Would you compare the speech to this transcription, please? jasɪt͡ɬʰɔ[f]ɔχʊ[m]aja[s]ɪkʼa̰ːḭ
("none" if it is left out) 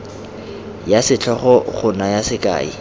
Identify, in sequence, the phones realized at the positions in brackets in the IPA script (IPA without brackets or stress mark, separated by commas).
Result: χ, n, s